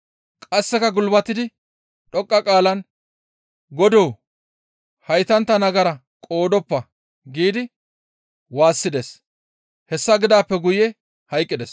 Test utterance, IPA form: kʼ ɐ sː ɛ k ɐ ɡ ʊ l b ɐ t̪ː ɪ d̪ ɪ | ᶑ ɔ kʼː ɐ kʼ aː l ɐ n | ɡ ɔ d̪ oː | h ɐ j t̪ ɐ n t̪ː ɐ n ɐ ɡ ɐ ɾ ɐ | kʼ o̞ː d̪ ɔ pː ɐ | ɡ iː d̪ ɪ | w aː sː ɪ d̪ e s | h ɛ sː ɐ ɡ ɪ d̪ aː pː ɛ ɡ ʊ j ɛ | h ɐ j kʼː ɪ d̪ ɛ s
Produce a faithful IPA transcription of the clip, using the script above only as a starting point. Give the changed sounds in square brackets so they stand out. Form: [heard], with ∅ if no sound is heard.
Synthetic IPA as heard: kʼ ɐ sː ɛ k ɐ ɡ ʊ l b ɐ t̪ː ɪ d̪ ɪ | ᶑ ɔ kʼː ɐ kʼ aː l ɐ n | ɡ ɔ d̪ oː | h ɐ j t̪ ɐ n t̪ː ɐ n ɐ ɡ ɐ ɾ ɐ | kʼ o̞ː d̪ ɔ pː ɐ | ɡ iː d̪ ɪ | w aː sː ɪ d̪ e s | h ɛ sː ɐ ɡ ɪ d̪ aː pː ɛ ɡ ʊ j ɛ | h ɐ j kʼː ɪ d̪ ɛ s